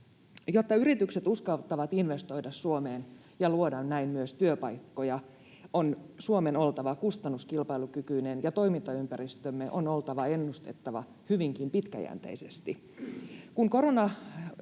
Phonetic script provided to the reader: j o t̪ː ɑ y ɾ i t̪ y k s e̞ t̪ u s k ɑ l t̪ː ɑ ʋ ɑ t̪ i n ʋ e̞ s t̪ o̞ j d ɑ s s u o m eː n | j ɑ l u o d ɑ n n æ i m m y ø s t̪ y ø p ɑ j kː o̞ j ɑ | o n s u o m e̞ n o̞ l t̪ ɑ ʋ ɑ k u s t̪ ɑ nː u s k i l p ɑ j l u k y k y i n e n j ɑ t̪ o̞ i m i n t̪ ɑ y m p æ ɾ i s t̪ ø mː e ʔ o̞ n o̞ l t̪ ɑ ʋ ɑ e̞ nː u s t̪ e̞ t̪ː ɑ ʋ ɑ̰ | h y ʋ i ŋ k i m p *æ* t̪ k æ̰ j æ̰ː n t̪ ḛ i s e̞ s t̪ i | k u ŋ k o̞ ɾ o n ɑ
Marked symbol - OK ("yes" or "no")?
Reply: no